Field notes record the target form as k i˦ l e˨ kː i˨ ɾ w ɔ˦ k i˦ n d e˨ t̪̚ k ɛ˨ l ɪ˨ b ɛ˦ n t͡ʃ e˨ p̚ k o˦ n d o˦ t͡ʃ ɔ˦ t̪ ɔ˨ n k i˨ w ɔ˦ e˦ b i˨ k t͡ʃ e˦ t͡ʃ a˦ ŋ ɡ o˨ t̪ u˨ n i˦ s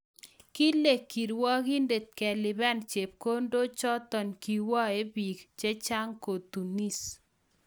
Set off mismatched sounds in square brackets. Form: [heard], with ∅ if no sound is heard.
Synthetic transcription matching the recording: k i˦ l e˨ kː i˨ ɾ w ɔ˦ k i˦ n d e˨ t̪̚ k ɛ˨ l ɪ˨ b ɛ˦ n t͡ʃ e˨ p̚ k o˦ n d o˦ t͡ʃ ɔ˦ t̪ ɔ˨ n k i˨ w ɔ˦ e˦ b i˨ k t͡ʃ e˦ t͡ʃ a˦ ŋ [k] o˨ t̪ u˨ n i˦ s